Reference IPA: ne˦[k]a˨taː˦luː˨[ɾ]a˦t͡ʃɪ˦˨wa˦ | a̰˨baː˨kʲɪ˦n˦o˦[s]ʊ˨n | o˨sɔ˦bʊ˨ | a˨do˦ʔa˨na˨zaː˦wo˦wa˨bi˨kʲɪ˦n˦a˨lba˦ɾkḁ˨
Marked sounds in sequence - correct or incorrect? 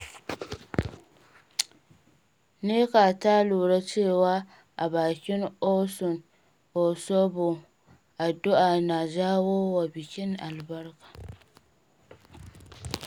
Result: correct, correct, correct

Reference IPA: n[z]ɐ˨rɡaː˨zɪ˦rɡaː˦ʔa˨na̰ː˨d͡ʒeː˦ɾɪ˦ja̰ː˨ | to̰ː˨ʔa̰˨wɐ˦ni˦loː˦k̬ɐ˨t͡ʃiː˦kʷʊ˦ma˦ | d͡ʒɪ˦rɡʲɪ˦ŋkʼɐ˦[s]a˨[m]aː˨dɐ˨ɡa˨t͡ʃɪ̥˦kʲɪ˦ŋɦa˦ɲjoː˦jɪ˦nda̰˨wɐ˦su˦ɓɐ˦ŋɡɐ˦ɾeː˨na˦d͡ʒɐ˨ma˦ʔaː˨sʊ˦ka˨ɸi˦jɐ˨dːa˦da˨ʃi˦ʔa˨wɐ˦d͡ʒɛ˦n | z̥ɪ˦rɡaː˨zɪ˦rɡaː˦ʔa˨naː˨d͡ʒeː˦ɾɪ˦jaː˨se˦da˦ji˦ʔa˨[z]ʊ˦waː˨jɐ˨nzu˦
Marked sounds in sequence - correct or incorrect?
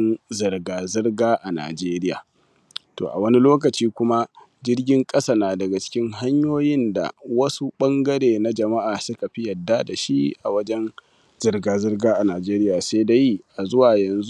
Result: correct, correct, incorrect, correct

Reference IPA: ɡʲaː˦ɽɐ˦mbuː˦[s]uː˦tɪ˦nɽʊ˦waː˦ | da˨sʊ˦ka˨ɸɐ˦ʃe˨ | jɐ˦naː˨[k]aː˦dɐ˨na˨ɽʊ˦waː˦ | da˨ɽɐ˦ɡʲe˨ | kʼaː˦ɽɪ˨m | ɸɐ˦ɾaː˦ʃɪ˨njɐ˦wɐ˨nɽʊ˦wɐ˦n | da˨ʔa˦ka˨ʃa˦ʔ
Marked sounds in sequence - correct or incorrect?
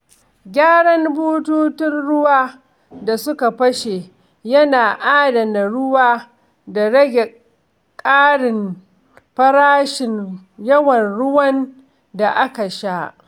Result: incorrect, incorrect

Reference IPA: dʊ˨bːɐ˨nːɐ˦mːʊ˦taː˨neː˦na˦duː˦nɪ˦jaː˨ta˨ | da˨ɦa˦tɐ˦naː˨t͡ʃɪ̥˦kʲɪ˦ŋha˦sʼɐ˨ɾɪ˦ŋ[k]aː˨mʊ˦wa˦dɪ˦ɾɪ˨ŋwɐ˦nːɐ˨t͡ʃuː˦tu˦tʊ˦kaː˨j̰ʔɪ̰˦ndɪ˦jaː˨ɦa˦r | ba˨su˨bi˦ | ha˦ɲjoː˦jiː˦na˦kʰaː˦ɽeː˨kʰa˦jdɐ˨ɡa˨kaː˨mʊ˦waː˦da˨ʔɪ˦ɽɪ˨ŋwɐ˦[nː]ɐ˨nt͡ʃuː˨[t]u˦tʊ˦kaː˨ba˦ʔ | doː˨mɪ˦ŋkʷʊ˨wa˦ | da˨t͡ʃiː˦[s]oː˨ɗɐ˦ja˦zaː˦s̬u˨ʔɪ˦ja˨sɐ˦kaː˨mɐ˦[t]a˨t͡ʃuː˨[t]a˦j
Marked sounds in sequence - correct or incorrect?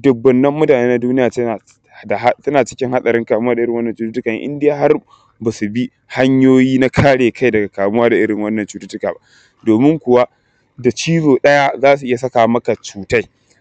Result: correct, correct, correct, incorrect, incorrect, correct

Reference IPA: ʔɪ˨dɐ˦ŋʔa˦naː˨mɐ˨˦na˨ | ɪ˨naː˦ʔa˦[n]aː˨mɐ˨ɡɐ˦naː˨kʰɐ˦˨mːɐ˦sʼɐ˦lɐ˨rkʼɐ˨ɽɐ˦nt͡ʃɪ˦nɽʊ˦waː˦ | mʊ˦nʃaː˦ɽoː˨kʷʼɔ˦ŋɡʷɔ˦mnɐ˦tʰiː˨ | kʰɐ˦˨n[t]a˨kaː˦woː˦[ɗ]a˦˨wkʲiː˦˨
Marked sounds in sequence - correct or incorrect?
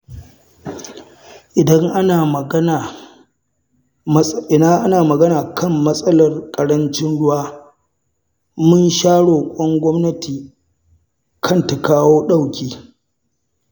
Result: correct, correct, correct

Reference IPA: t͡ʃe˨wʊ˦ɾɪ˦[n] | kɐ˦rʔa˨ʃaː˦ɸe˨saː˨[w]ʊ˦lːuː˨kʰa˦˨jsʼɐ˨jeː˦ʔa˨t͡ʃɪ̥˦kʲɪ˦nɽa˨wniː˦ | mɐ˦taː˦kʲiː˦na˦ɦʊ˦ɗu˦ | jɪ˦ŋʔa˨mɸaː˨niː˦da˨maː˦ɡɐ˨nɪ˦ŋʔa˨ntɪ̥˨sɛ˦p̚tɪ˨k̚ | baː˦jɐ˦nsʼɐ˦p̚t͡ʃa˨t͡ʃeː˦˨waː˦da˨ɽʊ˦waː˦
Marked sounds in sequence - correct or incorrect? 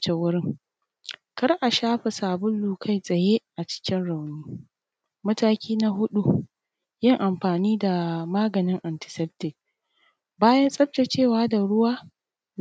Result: incorrect, incorrect

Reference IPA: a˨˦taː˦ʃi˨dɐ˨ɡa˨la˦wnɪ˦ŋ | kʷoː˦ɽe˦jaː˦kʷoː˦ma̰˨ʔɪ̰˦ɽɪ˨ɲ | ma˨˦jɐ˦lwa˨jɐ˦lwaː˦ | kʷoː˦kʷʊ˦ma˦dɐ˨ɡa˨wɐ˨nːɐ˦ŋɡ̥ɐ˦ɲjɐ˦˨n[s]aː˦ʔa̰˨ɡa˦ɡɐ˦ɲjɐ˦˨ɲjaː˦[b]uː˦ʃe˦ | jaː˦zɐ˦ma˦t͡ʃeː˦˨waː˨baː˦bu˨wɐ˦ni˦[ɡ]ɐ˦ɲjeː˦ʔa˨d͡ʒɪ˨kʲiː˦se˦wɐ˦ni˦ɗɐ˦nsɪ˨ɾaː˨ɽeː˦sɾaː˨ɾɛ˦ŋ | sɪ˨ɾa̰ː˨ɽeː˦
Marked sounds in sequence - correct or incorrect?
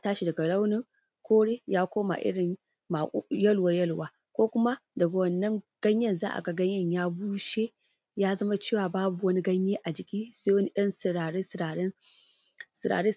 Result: incorrect, correct, correct

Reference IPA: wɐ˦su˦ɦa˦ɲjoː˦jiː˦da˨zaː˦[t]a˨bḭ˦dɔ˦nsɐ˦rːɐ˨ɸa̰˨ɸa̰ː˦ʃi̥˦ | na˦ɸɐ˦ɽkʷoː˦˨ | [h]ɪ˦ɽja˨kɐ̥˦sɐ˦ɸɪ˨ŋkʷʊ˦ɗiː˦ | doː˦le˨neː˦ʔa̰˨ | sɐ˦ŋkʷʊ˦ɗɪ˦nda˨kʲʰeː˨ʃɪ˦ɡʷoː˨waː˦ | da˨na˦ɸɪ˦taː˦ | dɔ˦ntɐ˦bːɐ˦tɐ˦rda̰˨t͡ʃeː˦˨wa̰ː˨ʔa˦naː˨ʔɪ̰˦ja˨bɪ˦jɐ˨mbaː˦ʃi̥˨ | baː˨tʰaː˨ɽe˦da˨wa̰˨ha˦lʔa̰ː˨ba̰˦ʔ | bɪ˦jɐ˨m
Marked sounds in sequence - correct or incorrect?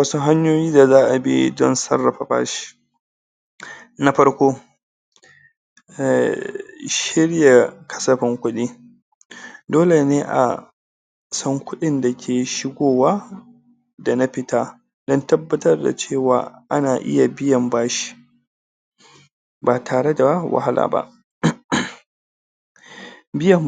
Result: incorrect, incorrect

